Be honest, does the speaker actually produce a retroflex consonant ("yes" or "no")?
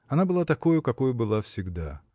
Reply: no